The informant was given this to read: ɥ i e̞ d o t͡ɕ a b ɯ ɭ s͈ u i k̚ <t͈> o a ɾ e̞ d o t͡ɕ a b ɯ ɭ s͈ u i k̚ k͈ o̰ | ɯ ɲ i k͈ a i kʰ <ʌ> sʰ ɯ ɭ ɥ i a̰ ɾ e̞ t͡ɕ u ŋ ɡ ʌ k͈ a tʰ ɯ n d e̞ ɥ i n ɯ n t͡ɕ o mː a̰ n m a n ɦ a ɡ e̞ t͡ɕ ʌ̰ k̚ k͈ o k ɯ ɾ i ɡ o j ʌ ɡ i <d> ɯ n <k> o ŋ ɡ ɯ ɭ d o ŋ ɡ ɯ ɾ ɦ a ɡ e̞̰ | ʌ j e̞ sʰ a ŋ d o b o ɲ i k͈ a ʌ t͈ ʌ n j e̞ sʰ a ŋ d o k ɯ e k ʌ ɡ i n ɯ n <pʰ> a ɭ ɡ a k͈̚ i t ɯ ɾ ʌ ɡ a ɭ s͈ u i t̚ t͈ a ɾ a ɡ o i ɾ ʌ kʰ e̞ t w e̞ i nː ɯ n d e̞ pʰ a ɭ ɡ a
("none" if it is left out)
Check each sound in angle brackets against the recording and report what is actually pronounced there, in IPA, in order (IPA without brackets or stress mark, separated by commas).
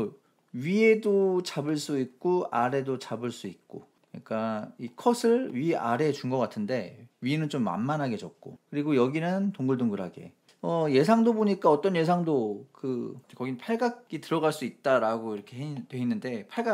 k͈, ʌ, n, t, pʰ